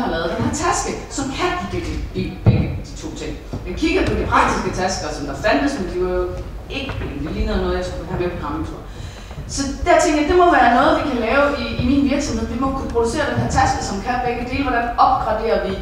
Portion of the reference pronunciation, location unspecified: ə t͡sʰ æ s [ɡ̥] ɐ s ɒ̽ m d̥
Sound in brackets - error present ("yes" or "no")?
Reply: no